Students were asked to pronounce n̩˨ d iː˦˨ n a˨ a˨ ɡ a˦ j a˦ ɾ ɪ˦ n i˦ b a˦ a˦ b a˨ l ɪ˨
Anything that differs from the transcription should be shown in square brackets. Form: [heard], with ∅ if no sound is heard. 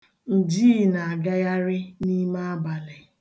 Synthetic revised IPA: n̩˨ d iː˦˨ n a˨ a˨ ɡ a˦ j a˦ ɾ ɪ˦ n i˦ [m] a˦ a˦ b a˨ l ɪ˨